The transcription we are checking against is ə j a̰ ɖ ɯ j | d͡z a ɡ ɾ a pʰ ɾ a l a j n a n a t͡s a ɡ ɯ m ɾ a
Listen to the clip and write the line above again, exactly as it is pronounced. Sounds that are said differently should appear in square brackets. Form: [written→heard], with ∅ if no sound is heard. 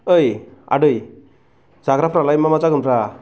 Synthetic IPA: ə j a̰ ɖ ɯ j | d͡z a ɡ ɾ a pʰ ɾ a l a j [n→m] a [n→m] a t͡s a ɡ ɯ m ɾ a